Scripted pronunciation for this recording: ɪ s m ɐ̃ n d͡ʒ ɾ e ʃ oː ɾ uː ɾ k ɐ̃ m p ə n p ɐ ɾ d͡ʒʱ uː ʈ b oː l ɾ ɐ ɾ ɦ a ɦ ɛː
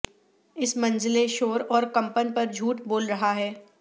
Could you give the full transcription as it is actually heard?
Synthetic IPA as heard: ɪ s m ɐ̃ n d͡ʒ l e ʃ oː ɾ ɔː ɾ k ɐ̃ m p ə n p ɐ ɾ d͡ʒʱ uː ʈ b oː l ɾ ɐ ɦ a ɦ ɛː